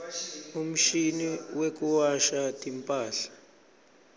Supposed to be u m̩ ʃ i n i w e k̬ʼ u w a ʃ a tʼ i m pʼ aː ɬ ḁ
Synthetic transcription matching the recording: u m̩ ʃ i n i w e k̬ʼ u w a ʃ a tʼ i m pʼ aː ɬ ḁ